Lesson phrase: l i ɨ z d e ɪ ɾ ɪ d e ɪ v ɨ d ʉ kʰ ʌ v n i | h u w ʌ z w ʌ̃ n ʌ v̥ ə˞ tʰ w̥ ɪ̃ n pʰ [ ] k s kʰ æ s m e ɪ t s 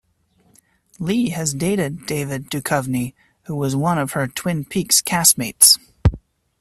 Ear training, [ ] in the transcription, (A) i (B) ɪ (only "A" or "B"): A